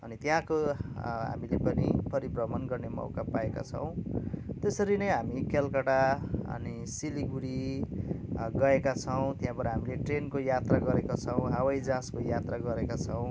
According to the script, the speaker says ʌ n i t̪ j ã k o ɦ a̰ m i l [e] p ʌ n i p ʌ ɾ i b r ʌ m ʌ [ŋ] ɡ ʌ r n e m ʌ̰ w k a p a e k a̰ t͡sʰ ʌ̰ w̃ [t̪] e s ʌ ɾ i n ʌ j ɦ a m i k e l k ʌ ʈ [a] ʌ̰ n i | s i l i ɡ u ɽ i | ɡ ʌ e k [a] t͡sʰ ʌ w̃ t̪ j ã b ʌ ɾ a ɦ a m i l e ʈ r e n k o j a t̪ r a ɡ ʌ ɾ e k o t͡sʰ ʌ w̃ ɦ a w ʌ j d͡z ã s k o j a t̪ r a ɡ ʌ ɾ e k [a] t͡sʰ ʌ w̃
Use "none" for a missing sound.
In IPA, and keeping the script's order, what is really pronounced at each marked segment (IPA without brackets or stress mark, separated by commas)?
e, n, t̪, a, a, a